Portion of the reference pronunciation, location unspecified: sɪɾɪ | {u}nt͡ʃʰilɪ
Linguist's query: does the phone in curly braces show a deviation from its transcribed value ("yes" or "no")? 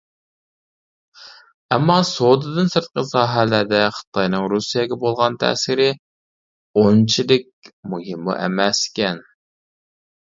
yes